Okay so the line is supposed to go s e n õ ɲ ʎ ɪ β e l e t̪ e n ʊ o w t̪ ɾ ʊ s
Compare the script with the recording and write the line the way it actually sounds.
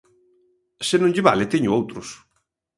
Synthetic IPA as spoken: s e n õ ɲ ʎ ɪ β a l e t̪ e ɲ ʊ o w t̪ ɾ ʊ s